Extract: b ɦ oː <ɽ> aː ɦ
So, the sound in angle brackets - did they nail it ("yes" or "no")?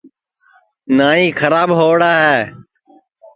yes